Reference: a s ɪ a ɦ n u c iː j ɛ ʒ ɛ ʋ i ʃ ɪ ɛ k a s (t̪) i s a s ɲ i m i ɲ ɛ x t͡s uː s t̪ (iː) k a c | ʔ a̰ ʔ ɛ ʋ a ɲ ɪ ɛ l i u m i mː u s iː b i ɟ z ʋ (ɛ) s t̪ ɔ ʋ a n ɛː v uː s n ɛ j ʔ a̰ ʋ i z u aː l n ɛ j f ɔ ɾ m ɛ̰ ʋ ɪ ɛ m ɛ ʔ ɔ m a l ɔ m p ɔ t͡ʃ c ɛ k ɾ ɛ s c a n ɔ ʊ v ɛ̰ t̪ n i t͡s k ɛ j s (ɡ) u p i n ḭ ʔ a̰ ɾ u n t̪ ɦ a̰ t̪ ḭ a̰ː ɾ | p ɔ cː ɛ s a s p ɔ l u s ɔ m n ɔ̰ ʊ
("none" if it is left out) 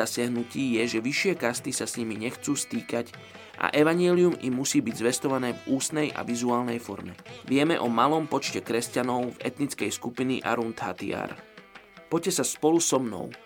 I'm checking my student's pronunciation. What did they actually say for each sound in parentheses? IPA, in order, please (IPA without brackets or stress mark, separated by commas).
t̪, iː, ɛ, k